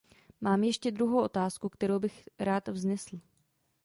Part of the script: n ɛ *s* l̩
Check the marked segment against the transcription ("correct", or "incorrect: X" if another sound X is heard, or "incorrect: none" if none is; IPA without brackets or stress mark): correct